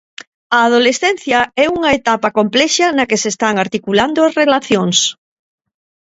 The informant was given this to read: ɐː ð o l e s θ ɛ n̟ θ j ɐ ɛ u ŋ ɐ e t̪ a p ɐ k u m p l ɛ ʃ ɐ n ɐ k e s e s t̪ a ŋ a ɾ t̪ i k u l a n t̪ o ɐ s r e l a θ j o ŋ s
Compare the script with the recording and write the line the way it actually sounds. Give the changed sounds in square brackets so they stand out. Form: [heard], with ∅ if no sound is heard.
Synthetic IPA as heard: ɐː ð o l e s θ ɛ n̟ θ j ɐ ɛ u ŋ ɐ e t̪ a p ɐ k [o] m p l ɛ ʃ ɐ n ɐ k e s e s t̪ a ŋ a ɾ t̪ i k u l a n [d̪] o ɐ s r e l a θ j o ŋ s

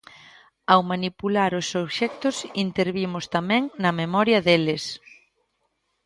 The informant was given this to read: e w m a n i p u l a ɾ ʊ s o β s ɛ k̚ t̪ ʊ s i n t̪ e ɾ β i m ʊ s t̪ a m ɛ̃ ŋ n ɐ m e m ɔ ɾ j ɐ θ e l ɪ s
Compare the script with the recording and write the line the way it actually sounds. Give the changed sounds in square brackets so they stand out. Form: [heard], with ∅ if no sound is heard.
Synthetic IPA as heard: [a] w m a n i p u l a ɾ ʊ s o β [ʃ] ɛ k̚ t̪ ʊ s i n t̪ e ɾ β i m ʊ s t̪ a m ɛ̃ ŋ n ɐ m e m ɔ ɾ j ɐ [ð] e l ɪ s

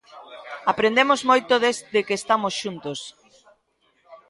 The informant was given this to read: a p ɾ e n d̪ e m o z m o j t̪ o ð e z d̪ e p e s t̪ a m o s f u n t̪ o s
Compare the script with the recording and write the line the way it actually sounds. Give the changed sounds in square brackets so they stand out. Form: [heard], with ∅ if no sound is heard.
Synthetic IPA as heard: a p ɾ e n d̪ e m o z m o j t̪ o ð e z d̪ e [k] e s t̪ a m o s [ʃ] u n t̪ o s

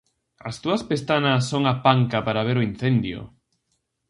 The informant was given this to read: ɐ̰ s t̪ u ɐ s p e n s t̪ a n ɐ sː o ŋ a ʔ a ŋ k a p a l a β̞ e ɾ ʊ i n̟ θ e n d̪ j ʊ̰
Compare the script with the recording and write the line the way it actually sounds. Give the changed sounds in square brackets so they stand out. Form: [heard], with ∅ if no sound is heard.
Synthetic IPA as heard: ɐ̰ s t̪ u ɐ s p e [∅] s t̪ a n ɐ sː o ŋ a [p] a ŋ k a p a [ɾ] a β̞ e ɾ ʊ i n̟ θ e n d̪ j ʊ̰

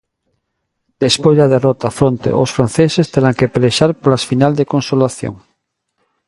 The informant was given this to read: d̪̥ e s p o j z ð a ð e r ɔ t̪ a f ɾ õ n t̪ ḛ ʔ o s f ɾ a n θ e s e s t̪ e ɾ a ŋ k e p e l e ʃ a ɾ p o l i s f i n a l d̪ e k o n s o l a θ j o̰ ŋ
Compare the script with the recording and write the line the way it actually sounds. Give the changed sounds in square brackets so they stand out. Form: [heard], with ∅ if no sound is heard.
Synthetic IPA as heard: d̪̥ e s p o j z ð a ð e r ɔ t̪ a f ɾ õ n t̪ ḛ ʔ o s f ɾ a n θ e s e s t̪ e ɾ a ŋ k e p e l e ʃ a ɾ p o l [a] s f i n a l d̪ e k o n s o l a θ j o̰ ŋ

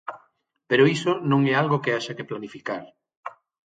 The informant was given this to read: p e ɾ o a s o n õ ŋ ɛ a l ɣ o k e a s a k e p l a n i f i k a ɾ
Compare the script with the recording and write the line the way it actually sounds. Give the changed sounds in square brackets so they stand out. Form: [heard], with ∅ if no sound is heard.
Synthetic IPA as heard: p e ɾ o [i] s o n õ ŋ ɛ a l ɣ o k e a [ʃ] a k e p l a n i f i k a ɾ

